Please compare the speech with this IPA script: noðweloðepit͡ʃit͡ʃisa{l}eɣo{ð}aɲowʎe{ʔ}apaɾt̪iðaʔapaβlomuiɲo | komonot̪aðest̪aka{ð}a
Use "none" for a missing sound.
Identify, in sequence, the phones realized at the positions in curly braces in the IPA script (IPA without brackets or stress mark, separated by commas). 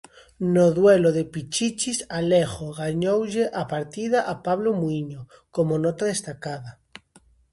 l, ɣ, ʔ, ð